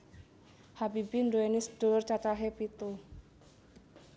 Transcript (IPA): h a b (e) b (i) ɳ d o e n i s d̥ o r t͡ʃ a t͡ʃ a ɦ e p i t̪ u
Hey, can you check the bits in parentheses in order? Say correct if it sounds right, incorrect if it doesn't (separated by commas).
incorrect, correct